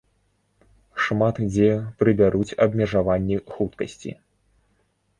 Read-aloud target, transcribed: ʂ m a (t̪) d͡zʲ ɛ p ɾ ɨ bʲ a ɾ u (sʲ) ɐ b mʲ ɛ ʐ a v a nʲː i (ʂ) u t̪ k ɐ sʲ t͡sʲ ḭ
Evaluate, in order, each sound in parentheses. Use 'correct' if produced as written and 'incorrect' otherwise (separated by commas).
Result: correct, incorrect, incorrect